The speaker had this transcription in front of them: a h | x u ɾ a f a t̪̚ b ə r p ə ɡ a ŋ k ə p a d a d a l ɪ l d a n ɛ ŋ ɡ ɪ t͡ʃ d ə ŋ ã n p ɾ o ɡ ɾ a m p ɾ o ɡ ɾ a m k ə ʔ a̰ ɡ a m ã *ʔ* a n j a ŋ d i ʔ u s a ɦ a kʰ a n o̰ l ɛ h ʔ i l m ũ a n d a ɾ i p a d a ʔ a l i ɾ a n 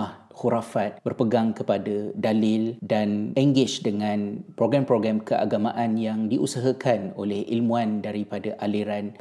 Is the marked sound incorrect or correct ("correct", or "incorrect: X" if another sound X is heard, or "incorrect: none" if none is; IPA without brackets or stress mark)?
correct